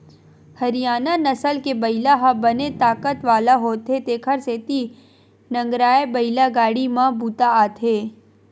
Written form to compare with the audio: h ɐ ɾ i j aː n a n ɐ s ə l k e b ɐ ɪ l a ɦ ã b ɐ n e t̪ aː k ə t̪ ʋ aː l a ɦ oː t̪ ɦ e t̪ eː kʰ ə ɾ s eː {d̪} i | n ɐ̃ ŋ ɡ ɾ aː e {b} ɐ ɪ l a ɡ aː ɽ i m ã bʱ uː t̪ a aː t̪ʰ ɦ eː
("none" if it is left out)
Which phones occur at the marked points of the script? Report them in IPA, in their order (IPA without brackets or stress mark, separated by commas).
t̪, b